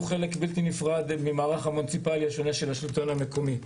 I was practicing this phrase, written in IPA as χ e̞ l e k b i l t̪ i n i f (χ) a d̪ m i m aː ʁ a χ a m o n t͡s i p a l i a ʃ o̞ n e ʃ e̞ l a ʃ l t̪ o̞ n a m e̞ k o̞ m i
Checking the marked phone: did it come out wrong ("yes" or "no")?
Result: yes